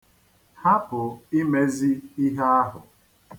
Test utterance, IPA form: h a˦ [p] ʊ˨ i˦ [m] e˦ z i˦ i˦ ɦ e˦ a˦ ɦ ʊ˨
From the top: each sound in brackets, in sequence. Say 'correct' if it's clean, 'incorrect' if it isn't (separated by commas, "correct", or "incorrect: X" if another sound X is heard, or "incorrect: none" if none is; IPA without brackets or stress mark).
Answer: correct, correct